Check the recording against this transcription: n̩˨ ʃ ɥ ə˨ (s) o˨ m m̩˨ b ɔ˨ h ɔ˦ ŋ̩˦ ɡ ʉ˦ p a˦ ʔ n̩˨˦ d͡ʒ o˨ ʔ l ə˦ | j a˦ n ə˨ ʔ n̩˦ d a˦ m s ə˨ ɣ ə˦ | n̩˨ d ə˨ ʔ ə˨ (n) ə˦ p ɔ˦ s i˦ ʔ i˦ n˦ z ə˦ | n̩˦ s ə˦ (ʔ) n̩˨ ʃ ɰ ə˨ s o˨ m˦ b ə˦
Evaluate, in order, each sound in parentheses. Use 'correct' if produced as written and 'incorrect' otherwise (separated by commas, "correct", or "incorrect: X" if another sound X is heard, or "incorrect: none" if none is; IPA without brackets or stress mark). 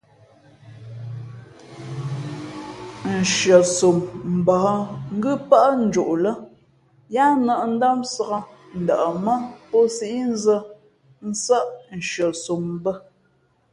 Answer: correct, incorrect: m, correct